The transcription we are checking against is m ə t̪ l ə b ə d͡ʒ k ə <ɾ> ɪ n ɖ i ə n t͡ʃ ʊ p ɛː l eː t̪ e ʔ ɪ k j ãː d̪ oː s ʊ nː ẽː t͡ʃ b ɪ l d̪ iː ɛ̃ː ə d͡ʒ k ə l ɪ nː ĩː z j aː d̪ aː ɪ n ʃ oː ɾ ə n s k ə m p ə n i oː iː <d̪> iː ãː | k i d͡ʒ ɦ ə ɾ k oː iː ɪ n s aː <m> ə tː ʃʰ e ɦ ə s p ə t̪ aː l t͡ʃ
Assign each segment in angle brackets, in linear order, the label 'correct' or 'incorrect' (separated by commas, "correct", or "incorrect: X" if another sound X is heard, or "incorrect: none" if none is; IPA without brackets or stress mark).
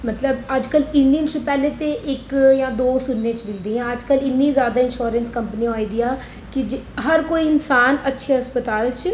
incorrect: l, correct, incorrect: n